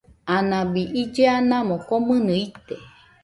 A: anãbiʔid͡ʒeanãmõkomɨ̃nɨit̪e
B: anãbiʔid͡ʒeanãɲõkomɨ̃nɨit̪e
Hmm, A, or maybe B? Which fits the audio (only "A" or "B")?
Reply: A